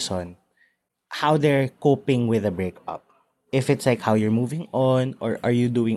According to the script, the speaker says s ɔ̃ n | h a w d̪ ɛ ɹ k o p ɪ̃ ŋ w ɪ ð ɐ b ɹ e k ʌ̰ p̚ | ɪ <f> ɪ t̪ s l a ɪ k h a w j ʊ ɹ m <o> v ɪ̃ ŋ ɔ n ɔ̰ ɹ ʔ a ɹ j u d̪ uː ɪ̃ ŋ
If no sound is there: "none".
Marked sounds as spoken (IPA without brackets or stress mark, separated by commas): f, u